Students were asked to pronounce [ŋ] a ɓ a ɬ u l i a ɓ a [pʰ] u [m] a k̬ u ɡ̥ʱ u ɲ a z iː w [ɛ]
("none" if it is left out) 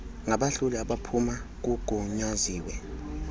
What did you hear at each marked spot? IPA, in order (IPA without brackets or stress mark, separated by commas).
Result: ŋ, pʰ, m, ɛ